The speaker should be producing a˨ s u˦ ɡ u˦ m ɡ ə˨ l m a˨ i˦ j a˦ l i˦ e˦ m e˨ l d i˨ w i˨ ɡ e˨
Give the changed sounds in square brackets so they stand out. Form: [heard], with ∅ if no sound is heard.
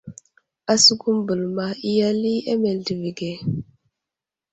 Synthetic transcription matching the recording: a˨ s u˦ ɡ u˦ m [b] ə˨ l m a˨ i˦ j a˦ l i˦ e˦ m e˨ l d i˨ [v] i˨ ɡ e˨